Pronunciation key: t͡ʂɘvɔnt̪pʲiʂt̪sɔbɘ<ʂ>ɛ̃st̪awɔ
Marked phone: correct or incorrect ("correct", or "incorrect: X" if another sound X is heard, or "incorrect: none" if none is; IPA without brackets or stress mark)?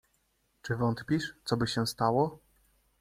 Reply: incorrect: ɕ